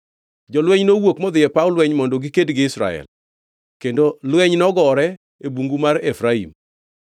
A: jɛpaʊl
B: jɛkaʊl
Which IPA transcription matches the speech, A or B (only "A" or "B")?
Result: A